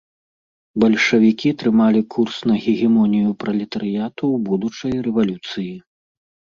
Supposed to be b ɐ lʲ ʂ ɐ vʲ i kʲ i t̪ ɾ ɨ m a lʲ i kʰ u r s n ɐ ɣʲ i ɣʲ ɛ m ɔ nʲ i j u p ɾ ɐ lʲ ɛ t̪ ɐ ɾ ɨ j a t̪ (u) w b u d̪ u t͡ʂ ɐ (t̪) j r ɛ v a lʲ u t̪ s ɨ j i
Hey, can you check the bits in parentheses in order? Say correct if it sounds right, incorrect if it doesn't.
correct, incorrect: none

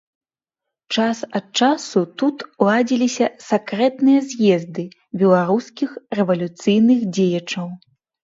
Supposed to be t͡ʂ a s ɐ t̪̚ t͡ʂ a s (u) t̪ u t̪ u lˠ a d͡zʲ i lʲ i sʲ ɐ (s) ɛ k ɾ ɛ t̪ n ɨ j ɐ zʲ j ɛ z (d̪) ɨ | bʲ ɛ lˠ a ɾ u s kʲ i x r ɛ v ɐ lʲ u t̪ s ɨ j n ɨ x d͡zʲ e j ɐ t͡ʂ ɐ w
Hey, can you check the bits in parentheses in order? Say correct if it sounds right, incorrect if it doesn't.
correct, correct, correct

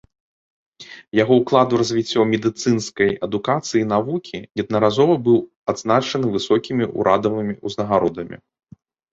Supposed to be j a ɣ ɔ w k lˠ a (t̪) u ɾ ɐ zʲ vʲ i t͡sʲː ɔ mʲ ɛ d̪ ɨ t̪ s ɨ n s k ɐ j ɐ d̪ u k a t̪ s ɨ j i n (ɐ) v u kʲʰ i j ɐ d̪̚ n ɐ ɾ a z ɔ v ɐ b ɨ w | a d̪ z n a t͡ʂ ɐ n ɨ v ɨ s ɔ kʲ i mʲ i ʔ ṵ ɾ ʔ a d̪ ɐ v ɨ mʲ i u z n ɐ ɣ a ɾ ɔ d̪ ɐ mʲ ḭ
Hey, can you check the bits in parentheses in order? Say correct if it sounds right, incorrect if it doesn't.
incorrect: d̪, incorrect: a

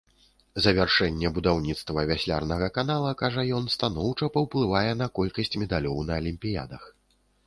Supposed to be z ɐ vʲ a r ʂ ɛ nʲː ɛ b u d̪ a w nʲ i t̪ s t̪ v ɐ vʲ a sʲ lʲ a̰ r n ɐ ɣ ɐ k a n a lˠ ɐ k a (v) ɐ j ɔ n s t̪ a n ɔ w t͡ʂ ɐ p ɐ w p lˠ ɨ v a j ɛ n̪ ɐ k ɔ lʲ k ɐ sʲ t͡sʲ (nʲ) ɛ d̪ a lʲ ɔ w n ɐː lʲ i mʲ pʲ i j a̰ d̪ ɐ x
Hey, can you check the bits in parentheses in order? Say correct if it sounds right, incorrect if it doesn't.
incorrect: ʐ, incorrect: mʲ

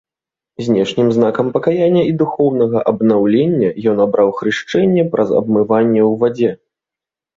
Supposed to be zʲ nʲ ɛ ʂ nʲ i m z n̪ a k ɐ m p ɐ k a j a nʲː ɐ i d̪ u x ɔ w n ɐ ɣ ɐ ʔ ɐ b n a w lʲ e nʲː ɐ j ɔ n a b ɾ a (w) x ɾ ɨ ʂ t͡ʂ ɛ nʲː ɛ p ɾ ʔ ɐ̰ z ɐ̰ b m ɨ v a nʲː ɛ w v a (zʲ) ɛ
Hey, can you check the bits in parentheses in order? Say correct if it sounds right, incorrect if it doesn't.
correct, incorrect: d͡zʲ

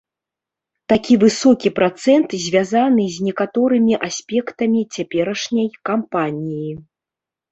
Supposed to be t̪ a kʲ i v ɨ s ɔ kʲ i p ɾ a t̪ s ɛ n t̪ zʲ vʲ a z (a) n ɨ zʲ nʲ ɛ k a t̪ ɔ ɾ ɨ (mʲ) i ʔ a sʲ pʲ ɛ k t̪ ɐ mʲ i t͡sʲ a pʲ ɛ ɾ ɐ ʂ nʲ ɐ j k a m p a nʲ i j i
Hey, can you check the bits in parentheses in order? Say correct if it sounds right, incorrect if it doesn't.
correct, correct

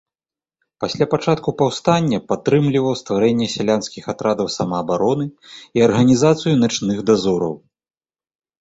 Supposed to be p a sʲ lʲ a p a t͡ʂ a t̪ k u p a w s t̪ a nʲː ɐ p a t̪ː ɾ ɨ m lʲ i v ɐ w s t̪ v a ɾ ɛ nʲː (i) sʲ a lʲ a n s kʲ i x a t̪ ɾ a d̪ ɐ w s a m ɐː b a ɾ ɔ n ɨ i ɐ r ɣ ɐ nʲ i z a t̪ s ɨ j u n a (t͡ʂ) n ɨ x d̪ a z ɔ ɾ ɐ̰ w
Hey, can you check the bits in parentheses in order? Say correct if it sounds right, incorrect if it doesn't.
incorrect: ɛ, correct

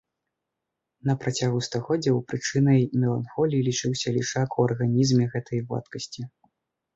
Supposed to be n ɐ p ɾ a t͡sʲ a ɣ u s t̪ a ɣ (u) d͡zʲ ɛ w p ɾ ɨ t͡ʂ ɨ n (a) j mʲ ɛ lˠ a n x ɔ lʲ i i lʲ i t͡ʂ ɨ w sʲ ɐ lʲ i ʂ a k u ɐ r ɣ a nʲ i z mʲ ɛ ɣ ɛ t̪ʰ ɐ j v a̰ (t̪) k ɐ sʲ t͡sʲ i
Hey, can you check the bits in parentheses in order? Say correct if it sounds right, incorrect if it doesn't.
incorrect: ɔ, incorrect: ɐ, correct

